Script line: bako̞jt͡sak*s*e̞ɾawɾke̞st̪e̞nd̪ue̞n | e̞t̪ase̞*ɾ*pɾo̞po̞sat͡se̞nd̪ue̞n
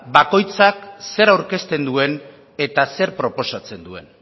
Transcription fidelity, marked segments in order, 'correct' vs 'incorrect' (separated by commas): correct, correct